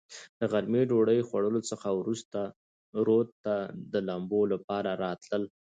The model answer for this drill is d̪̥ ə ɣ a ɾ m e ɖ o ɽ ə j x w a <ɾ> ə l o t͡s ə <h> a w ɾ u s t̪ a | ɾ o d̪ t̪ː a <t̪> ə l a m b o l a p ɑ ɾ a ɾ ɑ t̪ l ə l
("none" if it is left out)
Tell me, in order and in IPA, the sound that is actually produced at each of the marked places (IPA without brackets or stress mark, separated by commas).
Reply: ɽ, x, d̪